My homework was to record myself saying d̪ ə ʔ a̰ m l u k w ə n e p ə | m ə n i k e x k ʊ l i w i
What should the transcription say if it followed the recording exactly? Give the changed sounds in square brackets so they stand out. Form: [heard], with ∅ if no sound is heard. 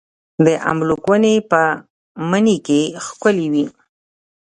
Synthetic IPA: d̪ ə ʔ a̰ m l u k w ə n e p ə | m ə n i k e x k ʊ l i w i